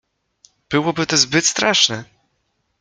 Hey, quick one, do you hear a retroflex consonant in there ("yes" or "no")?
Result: yes